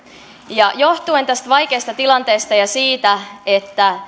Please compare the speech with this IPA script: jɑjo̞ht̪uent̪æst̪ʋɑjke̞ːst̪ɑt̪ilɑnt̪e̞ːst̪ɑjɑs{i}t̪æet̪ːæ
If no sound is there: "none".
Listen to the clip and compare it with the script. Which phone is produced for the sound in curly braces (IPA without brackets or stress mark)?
iː